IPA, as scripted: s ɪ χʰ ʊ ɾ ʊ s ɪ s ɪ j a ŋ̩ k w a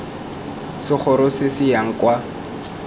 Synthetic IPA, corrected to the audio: s ɪ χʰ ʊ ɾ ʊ s ɪ s ɪ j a ŋ̩ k w a